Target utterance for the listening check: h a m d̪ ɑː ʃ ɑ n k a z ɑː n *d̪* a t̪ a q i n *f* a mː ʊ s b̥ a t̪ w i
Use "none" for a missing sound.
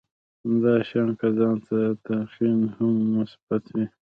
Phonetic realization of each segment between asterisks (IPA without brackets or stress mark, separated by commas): t̪, h